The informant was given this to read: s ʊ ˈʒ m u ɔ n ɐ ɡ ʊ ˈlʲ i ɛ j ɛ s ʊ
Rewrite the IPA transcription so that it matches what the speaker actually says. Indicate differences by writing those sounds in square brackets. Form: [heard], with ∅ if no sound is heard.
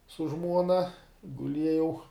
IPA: s ʊ ˈʒ m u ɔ n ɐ ɡ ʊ ˈlʲ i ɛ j ɛ [∅] ʊ